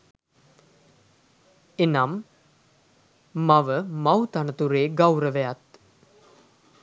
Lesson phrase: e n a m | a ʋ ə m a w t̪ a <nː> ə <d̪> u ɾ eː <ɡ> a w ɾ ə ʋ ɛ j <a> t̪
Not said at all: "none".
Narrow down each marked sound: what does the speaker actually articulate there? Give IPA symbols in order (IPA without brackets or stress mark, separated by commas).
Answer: n, t̪, ɡ, a